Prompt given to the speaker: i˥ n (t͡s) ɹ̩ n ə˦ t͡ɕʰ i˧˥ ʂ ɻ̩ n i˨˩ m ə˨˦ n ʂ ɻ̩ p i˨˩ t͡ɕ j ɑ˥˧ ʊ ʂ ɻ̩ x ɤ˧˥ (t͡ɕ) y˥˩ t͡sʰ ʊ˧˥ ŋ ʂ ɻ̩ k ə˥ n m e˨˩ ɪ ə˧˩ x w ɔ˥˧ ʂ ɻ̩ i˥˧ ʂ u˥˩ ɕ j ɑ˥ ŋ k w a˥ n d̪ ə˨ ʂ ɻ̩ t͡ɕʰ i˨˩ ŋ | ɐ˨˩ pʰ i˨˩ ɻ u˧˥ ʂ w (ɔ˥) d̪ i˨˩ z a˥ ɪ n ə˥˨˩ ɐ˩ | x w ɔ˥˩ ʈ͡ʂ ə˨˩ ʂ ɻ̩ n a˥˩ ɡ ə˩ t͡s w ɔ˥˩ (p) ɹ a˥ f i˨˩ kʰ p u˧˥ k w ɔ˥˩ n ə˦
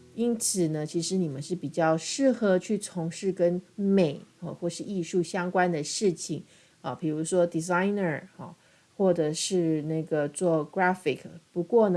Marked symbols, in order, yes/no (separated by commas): no, no, yes, no